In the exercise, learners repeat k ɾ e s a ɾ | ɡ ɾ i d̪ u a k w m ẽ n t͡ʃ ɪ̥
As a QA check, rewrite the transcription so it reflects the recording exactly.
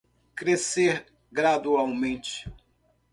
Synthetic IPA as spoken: k ɾ e s e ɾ | ɡ ɾ a d̪ u a w m ẽ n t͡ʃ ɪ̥